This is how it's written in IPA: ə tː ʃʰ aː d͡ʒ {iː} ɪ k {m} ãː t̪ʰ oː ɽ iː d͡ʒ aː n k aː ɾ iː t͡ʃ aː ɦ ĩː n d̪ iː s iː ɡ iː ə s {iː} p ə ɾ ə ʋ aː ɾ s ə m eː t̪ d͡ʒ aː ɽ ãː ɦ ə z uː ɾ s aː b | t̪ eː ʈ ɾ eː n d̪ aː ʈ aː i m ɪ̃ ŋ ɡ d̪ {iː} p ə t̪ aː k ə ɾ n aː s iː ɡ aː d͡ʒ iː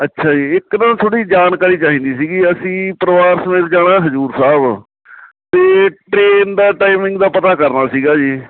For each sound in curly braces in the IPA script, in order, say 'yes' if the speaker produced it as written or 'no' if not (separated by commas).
yes, no, no, no